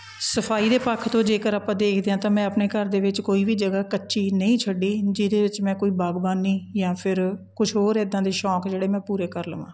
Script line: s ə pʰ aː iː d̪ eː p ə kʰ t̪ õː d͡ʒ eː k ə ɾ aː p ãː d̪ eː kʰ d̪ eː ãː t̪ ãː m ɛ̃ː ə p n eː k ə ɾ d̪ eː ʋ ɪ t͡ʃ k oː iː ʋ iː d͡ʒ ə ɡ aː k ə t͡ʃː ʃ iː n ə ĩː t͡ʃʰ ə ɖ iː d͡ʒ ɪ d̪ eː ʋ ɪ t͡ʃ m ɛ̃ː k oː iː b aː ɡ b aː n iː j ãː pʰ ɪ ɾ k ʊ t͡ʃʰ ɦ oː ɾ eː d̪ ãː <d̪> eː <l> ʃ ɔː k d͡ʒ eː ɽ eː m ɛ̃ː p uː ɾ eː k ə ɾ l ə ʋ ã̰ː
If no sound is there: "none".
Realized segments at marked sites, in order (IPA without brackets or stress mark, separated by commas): d̪, none